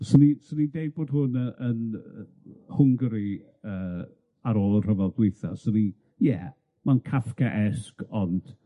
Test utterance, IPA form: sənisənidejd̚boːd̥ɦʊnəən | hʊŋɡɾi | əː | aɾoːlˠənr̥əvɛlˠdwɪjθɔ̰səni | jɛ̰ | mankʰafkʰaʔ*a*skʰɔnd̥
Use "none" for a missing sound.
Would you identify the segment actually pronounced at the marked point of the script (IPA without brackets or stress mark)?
ɛ